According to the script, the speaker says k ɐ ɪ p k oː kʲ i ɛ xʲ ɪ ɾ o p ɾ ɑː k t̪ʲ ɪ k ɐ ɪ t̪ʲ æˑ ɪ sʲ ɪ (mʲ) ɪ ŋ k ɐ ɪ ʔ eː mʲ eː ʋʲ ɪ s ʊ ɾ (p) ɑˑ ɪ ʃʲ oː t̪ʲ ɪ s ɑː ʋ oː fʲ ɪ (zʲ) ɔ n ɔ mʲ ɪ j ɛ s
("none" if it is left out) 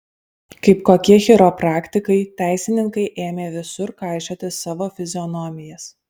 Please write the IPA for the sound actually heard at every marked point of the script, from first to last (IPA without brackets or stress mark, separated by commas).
nʲ, k, zʲ